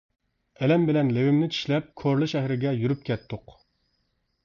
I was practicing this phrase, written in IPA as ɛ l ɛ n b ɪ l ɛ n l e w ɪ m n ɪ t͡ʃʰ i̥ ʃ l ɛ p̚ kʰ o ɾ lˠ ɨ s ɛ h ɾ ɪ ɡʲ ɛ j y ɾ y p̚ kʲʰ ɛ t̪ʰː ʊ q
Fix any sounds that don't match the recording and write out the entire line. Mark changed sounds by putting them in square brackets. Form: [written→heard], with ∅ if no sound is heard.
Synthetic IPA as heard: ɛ l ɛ [n→m] b ɪ l ɛ n l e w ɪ m n ɪ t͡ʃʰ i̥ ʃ l ɛ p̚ kʰ o ɾ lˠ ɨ [s→ʃ] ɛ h ɾ ɪ ɡʲ ɛ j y ɾ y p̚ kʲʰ ɛ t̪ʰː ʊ q